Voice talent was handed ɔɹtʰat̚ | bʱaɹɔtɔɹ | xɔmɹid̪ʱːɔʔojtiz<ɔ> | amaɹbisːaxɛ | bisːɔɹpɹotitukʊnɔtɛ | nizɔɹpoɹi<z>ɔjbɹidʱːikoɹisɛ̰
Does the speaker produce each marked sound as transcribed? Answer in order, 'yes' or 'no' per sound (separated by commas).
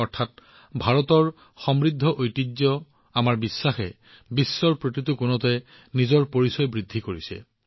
yes, no